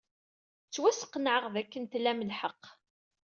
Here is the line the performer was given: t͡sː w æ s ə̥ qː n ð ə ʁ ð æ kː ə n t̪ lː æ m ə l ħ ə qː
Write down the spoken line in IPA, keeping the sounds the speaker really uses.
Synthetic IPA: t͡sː w æ s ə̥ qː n ʕ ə ʁ ð æ kː ə n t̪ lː æ m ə l ħ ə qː